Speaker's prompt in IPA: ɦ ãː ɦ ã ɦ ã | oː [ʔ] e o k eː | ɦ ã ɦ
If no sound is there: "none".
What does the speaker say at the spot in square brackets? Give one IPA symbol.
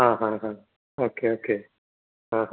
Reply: k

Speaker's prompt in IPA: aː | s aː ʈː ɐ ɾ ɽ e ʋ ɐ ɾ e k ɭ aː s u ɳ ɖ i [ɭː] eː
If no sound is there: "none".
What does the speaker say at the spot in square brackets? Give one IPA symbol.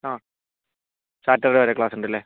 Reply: lː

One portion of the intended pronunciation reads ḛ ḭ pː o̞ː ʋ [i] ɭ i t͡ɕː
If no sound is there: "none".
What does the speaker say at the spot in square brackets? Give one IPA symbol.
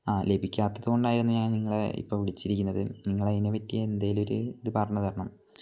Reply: i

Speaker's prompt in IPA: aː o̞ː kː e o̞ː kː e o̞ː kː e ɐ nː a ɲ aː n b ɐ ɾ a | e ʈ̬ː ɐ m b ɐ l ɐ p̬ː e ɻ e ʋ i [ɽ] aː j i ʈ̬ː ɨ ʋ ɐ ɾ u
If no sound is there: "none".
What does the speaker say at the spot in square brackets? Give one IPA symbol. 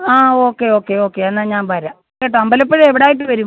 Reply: ɽ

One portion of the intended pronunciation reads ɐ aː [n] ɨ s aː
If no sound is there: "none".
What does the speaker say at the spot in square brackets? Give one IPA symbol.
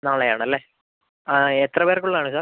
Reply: ɳ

